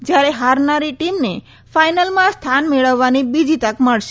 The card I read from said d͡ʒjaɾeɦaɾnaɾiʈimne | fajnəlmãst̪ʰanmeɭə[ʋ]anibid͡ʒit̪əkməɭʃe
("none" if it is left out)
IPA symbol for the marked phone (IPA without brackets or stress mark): ʋː